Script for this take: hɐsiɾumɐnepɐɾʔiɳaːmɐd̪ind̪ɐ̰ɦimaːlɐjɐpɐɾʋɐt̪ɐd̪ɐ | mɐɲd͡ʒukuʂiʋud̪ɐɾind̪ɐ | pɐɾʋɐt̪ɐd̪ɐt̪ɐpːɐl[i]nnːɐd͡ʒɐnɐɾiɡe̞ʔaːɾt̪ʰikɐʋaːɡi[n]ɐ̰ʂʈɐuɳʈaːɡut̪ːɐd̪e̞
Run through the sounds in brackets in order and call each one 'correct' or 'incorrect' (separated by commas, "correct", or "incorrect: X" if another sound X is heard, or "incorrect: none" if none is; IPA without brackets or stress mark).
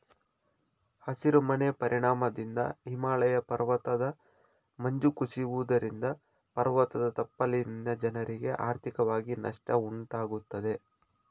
correct, correct